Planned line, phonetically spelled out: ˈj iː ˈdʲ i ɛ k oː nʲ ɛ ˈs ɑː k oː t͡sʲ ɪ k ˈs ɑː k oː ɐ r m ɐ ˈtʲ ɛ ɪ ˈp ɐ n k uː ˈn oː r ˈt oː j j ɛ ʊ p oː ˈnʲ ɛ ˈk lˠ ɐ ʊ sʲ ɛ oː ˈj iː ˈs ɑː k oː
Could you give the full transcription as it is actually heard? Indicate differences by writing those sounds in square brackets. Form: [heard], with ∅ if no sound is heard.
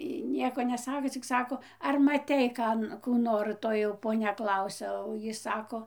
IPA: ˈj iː [ˈnʲ] i ɛ k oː nʲ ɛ ˈs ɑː k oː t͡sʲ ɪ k ˈs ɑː k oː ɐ r m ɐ ˈtʲ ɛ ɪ [ˈk] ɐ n k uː ˈn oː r ˈt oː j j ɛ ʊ p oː ˈnʲ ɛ ˈk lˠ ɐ ʊ sʲ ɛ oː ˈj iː ˈs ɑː k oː